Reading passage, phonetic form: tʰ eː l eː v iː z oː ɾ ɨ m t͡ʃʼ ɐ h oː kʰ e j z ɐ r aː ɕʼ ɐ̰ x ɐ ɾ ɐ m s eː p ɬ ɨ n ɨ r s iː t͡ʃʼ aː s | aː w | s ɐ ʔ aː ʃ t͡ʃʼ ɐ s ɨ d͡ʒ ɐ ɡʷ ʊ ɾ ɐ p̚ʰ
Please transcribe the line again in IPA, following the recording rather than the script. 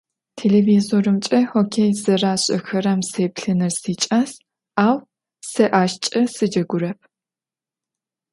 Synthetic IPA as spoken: tʰ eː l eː v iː z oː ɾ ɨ m t͡ʃʼ ɐ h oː kʰ e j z ɐ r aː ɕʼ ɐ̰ x ɐ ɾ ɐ m s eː p ɬ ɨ n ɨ r s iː t͡ʃʼ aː s | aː w | s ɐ ʔ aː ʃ t͡ʃʼ ɐ s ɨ d͡ʒ ɐ ɡʷ ʊ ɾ ɐ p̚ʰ

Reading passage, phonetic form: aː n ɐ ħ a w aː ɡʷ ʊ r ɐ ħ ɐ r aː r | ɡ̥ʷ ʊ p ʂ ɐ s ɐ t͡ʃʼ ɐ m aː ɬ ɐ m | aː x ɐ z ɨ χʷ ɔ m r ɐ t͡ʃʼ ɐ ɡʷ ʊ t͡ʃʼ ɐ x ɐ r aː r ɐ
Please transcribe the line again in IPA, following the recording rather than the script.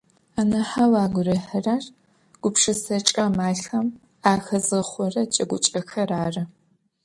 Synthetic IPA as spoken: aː n ɐ ħ a w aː ɡʷ ʊ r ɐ ħ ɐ r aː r | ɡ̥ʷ ʊ p ʂ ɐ s ɐ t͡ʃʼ ɐ m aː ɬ ɐ m | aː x ɐ z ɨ χʷ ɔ r ɐ t͡ʃʼ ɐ ɡʷ ʊ t͡ʃʼ ɐ x ɐ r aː r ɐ

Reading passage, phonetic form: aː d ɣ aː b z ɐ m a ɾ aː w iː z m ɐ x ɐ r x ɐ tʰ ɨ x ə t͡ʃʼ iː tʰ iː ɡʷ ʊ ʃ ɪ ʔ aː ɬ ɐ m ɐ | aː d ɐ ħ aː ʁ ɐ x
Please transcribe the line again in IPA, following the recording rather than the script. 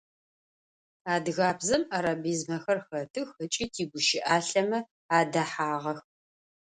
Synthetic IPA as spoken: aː d ɣ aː b z ɐ m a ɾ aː b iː z m ɐ x ɐ r x ɐ tʰ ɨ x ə t͡ʃʼ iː tʰ iː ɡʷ ʊ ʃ ɪ ʔ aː ɬ ɐ m ɐ | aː d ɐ ħ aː ʁ ɐ x

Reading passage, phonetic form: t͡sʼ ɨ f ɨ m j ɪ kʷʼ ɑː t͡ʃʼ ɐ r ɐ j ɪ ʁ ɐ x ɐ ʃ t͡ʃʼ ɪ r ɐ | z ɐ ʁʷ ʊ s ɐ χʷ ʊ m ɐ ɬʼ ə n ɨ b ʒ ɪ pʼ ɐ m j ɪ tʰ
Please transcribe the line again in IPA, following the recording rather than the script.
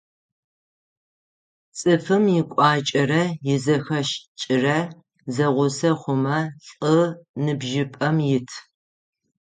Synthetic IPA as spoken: t͡sʼ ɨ f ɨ m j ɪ kʷʼ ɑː t͡ʃʼ ɐ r ɐ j ɪ z ɐ x ɐ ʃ t͡ʃʼ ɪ r ɐ | z ɐ ʁʷ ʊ s ɐ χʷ ʊ m ɐ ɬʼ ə n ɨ b ʒ ɪ pʼ ɐ m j ɪ tʰ

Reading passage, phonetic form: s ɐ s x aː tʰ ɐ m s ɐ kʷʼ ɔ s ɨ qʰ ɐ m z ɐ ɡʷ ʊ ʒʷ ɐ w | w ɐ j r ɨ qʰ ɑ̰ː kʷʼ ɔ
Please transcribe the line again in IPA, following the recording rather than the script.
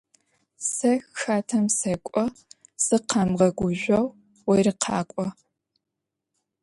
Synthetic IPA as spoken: s ɐ x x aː tʰ ɐ m s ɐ kʷʼ ɔ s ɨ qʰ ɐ m ʁ ɐ ɡʷ ʊ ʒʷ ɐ w | w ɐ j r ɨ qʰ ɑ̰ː kʷʼ ɔ

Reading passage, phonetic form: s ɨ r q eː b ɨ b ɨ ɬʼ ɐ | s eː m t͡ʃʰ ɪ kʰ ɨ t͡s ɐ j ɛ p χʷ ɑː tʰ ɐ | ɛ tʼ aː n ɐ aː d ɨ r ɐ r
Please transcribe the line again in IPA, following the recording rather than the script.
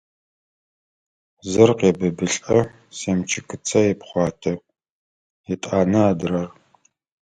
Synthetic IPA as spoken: z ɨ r q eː b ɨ b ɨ ɬʼ ɐ | s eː m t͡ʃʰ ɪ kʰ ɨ t͡sʰ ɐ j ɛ p χʷ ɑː tʰ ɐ | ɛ tʼ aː n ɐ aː d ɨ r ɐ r

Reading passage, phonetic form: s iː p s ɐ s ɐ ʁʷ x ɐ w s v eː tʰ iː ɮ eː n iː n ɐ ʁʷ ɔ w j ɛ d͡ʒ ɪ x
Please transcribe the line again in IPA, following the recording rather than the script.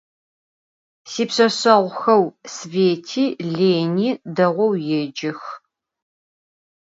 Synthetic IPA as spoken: s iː p s ɐ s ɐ ʁʷ x ɐ w s v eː tʰ iː ɮ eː n iː d ɐ ʁʷ ɔ w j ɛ d͡ʒ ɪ x

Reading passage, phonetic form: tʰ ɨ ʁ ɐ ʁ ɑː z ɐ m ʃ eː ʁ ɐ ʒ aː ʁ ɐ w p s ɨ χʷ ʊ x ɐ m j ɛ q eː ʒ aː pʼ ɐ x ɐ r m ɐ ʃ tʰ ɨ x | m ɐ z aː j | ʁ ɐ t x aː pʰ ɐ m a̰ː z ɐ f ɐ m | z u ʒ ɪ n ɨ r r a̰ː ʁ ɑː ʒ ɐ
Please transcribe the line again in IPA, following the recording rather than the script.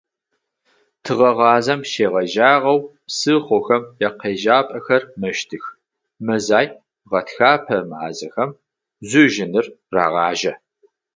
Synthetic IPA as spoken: tʰ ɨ ʁ ɐ ʁ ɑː z ɐ m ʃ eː ʁ ɐ ʒ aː ʁ ɐ w p s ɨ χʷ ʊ x ɐ m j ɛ q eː ʒ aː pʼ ɐ x ɐ r m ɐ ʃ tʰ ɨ x | m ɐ z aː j | ʁ ɐ t x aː pʰ ɐ m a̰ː z ɐ x ɐ m | z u ʒ ɪ n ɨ r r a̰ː ʁ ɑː ʒ ɐ

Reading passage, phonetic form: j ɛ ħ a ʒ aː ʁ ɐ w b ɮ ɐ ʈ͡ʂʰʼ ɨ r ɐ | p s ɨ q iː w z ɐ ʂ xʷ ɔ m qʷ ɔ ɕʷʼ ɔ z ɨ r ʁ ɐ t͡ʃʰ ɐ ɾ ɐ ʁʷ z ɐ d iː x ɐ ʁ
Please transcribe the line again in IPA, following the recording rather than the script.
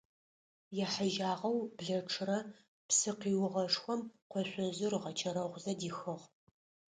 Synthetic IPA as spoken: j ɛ ħ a ʒ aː ʁ ɐ w b ɮ ɐ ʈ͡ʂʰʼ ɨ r ɐ | p s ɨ q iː w ʁ ɐ ʂ xʷ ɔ m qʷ ɔ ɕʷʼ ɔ z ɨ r ʁ ɐ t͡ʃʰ ɐ ɾ ɐ ʁʷ z ɐ d iː x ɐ ʁ

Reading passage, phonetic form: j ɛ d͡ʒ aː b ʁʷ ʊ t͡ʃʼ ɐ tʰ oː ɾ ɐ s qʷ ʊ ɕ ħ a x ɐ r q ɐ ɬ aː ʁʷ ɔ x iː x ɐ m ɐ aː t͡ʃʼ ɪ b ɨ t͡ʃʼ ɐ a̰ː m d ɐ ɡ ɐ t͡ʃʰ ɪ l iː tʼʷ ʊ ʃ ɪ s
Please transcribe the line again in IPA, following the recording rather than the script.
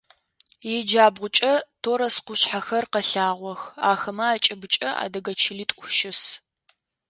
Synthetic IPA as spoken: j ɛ d͡ʒ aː b ʁʷ ʊ t͡ʃʼ ɐ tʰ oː ɾ ɐ s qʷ ʊ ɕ ħ a x ɐ r q ɐ ɬ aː ʁʷ ɔ x aː x ɐ m ɐ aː t͡ʃʼ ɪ b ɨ t͡ʃʼ ɐ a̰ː d ɐ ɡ ɐ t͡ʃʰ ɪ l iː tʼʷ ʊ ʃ ɪ s

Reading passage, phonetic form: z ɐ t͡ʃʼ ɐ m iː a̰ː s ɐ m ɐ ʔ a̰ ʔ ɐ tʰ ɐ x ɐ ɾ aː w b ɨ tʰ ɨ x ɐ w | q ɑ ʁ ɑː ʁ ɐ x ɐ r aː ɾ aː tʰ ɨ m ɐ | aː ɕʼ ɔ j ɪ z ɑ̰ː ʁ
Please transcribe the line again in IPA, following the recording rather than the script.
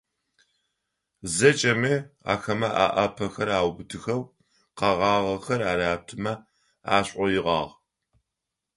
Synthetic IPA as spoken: z ɐ t͡ʃʼ ɐ m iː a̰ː x ɐ m ɐ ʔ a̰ ʔ ɐ pʰ ɐ x ɐ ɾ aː w b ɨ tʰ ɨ x ɐ w | q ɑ ʁ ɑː ʁ ɐ x ɐ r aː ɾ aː tʰ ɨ m ɐ | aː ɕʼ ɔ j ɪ ʁ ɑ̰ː ʁ

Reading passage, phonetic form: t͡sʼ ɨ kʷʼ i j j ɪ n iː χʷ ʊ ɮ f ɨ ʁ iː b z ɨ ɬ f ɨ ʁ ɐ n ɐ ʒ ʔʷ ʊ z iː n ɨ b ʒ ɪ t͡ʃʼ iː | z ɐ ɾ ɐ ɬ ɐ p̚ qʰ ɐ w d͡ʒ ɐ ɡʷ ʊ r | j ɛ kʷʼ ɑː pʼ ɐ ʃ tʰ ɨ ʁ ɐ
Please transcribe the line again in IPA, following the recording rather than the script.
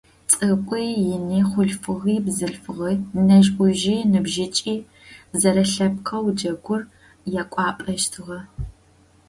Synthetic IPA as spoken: t͡sʼ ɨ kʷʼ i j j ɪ n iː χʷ ʊ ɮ f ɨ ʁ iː b z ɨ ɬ f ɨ ʁ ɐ n ɐ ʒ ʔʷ ʊ ʒ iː n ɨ b ʒ ɪ t͡ʃʼ iː | z ɐ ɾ ɐ ɬ ɐ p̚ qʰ ɐ w d͡ʒ ɐ ɡʷ ʊ r | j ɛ kʷʼ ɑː pʼ ɐ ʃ tʰ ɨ ʁ ɐ

